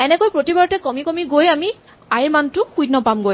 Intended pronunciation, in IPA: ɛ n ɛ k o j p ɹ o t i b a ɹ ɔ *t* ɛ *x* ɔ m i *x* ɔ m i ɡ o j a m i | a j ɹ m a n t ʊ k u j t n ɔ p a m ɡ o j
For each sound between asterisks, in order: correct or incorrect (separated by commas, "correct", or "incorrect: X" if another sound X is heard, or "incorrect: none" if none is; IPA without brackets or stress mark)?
correct, incorrect: k, incorrect: k